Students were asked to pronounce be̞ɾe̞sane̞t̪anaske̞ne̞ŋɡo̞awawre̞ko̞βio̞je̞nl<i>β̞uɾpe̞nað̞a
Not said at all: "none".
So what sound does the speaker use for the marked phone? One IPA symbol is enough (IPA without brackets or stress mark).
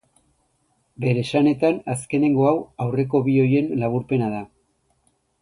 a